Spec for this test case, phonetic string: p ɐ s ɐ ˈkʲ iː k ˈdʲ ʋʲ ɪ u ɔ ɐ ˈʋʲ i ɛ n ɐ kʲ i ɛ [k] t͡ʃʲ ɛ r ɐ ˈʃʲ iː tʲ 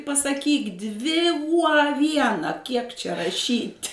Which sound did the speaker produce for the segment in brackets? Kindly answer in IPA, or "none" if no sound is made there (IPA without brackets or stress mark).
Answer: k